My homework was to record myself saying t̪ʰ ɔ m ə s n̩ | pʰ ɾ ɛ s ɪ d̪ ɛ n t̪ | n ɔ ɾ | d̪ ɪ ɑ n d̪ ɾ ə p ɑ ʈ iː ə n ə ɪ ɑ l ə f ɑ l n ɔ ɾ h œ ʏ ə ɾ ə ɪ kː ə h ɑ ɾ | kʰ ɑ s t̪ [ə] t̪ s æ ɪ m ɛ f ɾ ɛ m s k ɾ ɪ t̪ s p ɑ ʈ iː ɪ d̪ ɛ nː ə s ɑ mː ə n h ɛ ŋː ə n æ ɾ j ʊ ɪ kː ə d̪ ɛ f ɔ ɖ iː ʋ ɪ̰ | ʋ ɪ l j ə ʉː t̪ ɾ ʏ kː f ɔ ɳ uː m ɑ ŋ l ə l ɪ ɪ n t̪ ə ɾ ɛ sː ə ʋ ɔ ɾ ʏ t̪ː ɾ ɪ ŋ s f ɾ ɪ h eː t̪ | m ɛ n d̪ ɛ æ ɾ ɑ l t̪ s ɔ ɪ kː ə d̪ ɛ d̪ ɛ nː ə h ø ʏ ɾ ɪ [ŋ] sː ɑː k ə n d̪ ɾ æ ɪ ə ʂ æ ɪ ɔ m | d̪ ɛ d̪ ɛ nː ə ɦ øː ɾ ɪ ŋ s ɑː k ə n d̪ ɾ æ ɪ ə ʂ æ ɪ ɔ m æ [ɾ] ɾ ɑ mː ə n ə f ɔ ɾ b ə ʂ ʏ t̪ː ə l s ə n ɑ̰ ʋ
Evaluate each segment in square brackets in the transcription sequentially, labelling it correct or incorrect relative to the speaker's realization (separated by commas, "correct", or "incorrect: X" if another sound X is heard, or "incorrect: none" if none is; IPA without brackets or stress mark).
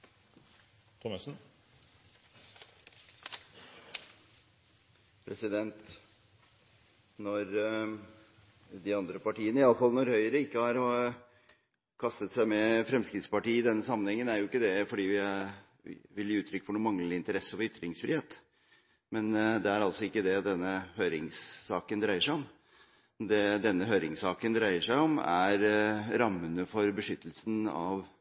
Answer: correct, correct, correct